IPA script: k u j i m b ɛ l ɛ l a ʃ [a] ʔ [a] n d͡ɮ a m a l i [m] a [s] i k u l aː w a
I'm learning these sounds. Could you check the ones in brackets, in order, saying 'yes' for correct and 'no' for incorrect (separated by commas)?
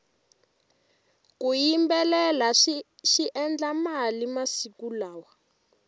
no, no, yes, yes